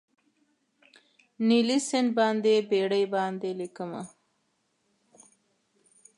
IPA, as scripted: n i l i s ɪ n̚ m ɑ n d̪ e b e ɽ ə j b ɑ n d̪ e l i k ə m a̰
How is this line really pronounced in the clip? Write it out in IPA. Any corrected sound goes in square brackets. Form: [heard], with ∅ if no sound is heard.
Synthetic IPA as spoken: n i l i s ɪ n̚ [b] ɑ n d̪ e b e ɽ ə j b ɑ n d̪ e l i k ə m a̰